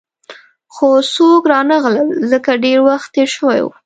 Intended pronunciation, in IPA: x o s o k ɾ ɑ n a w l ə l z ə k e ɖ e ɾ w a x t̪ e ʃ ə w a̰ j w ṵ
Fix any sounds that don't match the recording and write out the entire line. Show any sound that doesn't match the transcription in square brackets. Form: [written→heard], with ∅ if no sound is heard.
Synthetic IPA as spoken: x o s o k ɾ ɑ n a [w→ɣ] l ə l z ə k [e→a] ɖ e ɾ w a x t̪ e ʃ ə w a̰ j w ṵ

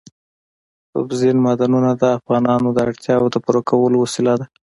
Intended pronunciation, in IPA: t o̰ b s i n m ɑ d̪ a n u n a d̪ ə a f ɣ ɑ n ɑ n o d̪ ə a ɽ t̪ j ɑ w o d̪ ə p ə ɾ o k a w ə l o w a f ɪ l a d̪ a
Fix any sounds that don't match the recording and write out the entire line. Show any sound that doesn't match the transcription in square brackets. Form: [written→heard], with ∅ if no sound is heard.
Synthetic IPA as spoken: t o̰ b [s→z] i n m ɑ d̪ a n u n a d̪ ə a f ɣ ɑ n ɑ n o d̪ ə a ɽ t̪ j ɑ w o d̪ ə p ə ɾ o k a w ə l o w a [f→s] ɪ l a d̪ a

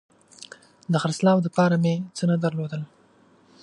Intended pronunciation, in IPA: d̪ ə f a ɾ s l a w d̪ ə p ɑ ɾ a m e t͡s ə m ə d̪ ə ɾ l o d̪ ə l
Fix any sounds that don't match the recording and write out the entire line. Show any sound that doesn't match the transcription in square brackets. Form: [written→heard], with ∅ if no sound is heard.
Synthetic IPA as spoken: d̪ ə [f→x] a ɾ s l [a→ɑ] w d̪ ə p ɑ ɾ a m e t͡s ə [m→n] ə d̪ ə ɾ l o d̪ ə l

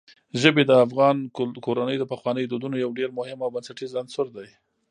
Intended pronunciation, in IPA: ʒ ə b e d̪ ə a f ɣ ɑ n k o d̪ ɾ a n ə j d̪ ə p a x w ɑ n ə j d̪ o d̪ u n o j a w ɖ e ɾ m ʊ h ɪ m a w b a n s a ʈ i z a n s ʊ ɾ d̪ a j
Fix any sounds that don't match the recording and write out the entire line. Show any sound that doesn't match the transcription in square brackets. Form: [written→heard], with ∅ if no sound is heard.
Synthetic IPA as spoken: ʒ ə b e d̪ ə a f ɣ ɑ n k o [d̪→∅] ɾ a n ə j d̪ ə p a x w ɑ n ə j d̪ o d̪ u n o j a w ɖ e ɾ m ʊ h ɪ m a w b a n s a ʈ i z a n s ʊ ɾ d̪ a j

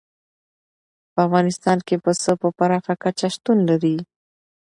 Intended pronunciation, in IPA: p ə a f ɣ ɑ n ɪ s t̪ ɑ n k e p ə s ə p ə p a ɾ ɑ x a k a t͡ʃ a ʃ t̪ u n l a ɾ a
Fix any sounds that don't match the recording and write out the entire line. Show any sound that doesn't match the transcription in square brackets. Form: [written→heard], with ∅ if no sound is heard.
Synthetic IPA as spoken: p ə a f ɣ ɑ n ɪ s t̪ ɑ n k e p ə s ə p ə p a ɾ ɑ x a k a t͡ʃ a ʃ t̪ u n l a ɾ [a→i]

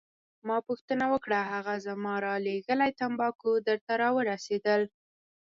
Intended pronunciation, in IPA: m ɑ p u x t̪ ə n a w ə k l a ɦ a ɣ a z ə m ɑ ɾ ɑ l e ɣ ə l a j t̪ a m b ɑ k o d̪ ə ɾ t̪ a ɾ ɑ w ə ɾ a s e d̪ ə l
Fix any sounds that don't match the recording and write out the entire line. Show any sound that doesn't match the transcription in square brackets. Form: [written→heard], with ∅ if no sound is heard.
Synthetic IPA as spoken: m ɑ p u x t̪ ə n a w ə k [l→ɽ] a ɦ a ɣ a z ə m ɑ ɾ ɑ l e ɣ ə l a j t̪ a m b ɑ k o d̪ ə ɾ t̪ a ɾ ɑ w ə ɾ a s e d̪ ə l

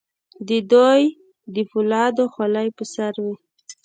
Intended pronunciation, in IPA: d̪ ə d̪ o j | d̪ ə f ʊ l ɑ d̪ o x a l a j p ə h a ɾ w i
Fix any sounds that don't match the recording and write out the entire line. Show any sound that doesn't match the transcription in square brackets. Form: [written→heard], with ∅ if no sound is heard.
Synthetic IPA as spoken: d̪ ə d̪ o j | d̪ ə f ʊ l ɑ d̪ o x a l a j p ə [h→s] a ɾ w i

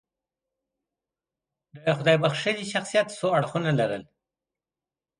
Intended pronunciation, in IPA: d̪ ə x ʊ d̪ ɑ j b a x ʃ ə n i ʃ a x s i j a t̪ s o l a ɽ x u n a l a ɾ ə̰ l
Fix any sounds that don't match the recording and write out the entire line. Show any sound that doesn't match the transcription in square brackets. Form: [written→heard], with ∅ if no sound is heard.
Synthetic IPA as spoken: d̪ ə x ʊ d̪ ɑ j b a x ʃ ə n i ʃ a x s i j a t̪ s o [l→∅] a ɽ x u n a l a ɾ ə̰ l

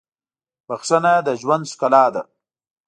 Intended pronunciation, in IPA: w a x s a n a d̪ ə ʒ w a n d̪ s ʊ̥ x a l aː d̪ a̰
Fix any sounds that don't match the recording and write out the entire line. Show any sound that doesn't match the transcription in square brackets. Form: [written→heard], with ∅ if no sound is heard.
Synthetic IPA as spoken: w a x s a n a d̪ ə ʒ w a n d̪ s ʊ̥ [x→k] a l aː d̪ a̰

